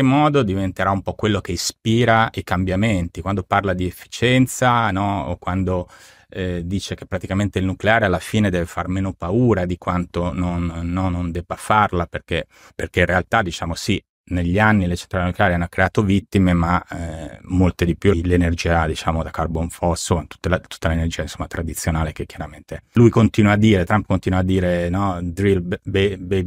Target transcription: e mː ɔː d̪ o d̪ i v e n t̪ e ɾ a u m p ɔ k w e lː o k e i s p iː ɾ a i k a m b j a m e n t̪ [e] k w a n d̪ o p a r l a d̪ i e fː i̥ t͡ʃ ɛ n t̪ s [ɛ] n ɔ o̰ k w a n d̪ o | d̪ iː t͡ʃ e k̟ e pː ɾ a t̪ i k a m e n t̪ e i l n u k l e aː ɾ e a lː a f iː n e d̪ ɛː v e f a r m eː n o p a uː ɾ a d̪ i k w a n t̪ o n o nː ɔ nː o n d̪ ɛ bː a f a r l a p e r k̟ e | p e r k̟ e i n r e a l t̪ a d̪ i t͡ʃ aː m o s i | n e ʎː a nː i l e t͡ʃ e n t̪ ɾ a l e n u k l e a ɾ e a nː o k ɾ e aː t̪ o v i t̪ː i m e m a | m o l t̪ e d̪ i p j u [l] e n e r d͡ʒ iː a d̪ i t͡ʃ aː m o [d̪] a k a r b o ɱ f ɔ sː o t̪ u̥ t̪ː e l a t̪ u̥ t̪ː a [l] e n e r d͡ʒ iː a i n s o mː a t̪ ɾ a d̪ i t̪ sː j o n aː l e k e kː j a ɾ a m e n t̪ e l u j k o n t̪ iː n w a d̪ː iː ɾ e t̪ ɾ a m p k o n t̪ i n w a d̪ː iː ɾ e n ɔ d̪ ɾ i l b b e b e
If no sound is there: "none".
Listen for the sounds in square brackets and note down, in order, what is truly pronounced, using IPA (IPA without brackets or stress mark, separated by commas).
i, a, l, d̪, l